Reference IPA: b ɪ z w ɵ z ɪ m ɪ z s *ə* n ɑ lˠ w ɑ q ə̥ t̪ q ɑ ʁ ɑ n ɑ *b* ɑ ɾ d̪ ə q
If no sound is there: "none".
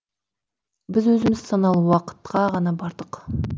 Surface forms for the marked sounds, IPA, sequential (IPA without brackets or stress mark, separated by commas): ɑ, b